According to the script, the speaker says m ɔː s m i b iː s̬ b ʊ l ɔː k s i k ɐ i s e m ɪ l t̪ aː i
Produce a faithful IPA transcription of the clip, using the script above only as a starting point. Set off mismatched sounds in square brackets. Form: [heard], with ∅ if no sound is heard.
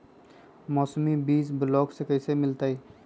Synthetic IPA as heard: m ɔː s m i b iː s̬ b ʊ l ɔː k s [e] k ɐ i s e m ɪ l t̪ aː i